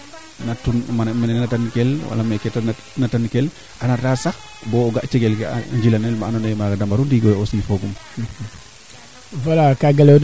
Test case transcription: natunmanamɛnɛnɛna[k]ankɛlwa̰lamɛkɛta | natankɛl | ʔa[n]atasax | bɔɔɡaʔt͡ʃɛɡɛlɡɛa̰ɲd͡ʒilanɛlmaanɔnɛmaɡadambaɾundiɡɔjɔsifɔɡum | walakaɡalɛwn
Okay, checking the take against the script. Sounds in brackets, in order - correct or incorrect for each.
incorrect, correct

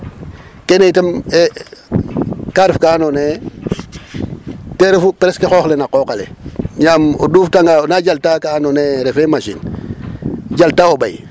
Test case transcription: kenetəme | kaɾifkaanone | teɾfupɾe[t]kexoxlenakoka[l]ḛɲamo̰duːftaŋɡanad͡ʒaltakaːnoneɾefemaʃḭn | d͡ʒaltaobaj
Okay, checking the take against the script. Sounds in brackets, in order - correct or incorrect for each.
incorrect, correct

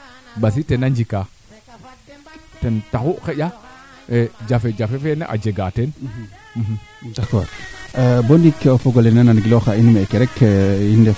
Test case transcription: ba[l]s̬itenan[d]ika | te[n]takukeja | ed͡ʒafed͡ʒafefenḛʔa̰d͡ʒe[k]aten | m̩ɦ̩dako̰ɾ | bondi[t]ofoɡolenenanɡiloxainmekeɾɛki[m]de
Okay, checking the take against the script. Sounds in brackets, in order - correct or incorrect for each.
incorrect, incorrect, correct, incorrect, incorrect, incorrect

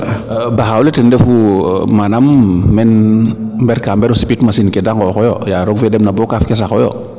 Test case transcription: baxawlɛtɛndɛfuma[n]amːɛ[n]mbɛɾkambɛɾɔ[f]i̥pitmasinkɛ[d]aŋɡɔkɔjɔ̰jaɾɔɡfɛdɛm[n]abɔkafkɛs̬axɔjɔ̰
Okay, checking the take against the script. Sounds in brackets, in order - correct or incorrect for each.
correct, correct, incorrect, correct, correct

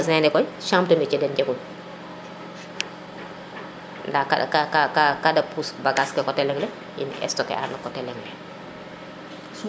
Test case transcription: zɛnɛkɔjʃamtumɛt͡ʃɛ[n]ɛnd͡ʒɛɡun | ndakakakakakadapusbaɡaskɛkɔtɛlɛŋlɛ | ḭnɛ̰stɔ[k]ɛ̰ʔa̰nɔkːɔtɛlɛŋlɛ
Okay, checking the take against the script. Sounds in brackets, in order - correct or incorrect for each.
incorrect, correct

